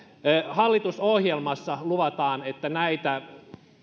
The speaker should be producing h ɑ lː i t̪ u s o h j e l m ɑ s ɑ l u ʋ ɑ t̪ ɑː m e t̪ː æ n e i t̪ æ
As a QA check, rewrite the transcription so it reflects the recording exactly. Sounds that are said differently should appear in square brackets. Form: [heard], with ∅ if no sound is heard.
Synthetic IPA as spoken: h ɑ lː i t̪ u s o h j e l m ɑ [sː] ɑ l u ʋ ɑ t̪ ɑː [n] e t̪ː æ n [æ] i t̪ æ